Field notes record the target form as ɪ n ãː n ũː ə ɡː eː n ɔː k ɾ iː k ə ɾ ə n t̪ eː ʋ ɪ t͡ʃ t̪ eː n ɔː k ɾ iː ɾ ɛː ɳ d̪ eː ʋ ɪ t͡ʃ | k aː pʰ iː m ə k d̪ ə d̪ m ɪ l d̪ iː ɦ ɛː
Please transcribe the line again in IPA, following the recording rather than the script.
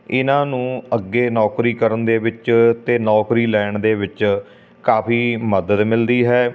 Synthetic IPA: ɪ n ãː n ũː ə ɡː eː n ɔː k ɾ iː k ə ɾ ə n d̪ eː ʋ ɪ t͡ʃ t̪ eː n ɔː k ɾ iː l ɛː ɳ d̪ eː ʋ ɪ t͡ʃ | k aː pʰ iː m ə d̪ ə d̪ m ɪ l d̪ iː ɦ ɛː